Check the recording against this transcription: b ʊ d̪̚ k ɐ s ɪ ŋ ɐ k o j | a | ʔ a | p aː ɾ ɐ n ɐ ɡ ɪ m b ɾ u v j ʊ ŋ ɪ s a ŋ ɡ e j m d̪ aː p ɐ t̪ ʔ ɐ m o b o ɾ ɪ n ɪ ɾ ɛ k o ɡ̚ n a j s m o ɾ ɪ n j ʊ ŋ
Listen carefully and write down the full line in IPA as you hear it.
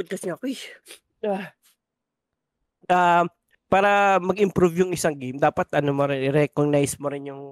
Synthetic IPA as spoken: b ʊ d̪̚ k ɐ s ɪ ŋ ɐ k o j | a | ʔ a | p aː ɾ ɐ m ɐ ɡ ɪ m p ɾ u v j ʊ ŋ ɪ s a ŋ ɡ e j m d̪ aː p ɐ t̪ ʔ ɐ n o m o ɾ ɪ n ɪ ɾ ɛ k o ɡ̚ n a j s m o ɾ ɪ n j ʊ ŋ